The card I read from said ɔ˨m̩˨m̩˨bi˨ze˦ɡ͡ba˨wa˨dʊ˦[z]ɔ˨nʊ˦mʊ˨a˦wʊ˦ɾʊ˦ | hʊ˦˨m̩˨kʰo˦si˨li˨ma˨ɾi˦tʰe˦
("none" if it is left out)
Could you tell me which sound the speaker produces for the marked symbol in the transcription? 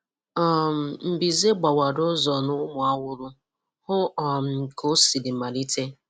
z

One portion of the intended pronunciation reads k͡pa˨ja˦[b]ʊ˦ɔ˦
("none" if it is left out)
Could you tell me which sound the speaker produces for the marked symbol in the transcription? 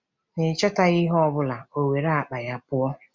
p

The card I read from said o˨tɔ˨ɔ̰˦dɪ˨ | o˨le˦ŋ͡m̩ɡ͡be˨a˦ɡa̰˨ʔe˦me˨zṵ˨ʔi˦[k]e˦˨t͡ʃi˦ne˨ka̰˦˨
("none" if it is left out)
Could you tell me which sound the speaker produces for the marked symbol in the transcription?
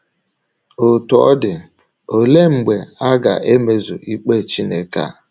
k͡p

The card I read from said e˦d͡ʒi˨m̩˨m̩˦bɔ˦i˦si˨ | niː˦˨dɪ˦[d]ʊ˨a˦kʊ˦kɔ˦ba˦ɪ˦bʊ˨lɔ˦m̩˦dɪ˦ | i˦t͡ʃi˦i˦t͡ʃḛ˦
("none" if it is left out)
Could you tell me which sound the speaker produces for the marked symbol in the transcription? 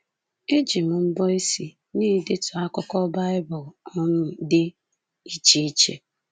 t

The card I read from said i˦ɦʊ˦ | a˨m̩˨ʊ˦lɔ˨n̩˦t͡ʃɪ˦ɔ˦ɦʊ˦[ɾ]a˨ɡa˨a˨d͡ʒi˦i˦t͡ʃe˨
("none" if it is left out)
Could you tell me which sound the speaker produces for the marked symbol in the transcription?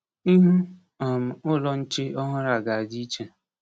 ɾ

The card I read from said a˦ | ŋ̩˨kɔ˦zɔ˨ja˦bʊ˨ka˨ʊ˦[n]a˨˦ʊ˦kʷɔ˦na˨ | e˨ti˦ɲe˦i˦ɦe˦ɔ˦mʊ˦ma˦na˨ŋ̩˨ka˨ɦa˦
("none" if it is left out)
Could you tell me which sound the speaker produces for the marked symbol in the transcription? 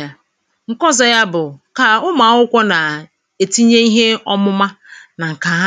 m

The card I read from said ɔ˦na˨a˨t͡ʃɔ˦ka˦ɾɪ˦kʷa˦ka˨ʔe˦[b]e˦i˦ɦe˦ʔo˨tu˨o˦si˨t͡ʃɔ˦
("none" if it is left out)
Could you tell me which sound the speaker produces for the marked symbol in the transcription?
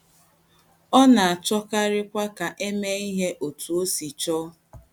m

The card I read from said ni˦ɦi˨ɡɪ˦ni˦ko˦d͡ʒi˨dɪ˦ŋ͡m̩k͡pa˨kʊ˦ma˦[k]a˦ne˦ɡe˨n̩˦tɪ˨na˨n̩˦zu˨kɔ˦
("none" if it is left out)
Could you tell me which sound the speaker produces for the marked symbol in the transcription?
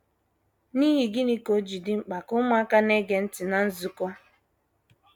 k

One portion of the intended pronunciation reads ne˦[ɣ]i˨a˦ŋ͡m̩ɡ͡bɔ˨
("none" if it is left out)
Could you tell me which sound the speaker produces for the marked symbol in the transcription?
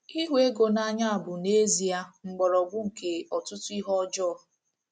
z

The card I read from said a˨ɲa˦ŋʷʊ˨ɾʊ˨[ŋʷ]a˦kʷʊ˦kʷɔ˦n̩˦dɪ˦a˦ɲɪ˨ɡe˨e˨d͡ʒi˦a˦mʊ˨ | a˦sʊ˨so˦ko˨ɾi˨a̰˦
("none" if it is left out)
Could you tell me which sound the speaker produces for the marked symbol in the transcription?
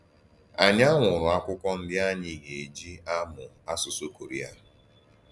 none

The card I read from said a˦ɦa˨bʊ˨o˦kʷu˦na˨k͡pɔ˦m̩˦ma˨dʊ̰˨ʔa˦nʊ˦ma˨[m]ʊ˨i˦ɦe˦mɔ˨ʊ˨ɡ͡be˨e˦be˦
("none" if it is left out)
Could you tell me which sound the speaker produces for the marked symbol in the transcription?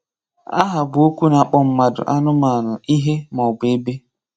n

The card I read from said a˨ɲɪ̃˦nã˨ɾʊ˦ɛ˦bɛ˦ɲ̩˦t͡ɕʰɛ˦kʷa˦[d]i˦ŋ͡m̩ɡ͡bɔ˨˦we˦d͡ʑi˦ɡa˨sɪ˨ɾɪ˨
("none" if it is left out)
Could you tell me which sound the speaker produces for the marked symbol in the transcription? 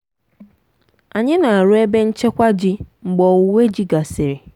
d͡ʑ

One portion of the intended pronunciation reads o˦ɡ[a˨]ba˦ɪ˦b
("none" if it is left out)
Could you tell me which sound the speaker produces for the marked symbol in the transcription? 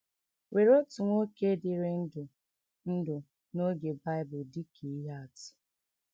e˨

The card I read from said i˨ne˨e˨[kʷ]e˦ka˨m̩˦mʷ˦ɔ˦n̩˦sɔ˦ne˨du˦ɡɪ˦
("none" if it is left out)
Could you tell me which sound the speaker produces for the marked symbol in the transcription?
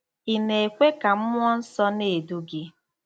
kʷ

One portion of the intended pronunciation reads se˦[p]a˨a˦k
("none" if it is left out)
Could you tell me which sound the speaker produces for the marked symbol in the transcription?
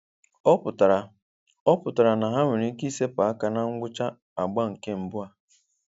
p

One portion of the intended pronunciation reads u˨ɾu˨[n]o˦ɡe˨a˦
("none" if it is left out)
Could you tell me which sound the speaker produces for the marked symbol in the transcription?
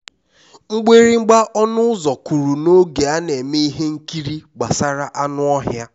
n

